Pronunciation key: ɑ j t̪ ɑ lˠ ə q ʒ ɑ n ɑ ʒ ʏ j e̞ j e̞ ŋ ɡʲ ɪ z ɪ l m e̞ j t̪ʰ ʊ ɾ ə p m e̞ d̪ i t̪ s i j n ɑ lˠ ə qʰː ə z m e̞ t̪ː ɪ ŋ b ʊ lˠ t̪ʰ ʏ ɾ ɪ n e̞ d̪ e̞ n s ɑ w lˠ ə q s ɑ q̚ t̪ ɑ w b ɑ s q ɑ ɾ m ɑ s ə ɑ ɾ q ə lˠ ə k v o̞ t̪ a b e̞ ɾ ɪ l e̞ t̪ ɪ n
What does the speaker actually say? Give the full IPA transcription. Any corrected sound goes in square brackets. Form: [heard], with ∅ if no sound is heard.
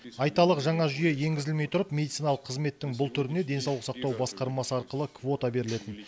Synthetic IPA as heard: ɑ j t̪ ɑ lˠ ə q ʒ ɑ [ɴ] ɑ ʒ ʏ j e̞ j e̞ ŋ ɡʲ ɪ z ɪ l m e̞ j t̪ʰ ʊ ɾ ə p m e̞ d̪ i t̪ s i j n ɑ lˠ ə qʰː ə z m e̞ t̪ː ɪ ŋ b ʊ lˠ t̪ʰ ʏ ɾ ɪ n e̞ d̪ e̞ n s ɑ w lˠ ə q s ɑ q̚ t̪ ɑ w b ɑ s q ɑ ɾ m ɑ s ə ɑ ɾ q ə lˠ ə k v o̞ t̪ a b e̞ ɾ ɪ l e̞ t̪ ɪ n